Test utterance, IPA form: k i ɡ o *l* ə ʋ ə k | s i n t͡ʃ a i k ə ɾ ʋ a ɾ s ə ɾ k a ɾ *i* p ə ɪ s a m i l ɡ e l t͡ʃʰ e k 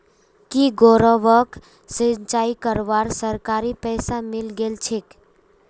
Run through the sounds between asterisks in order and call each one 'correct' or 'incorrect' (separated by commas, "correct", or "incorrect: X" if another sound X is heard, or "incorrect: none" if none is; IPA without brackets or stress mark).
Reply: incorrect: ɾ, correct